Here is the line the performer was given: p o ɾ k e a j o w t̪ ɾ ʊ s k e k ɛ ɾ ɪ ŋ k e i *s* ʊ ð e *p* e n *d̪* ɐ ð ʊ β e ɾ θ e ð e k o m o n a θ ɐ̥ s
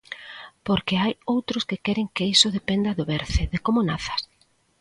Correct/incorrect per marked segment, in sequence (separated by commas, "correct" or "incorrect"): correct, correct, correct